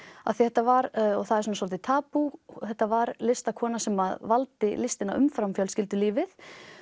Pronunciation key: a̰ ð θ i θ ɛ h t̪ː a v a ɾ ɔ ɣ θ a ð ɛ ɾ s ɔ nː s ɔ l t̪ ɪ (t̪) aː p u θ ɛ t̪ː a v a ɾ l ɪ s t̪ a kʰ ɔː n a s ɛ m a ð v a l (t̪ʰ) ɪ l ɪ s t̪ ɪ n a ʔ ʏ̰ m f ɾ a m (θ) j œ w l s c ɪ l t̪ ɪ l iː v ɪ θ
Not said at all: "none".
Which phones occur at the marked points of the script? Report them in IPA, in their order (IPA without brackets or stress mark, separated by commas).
t̪ʰ, t̪, f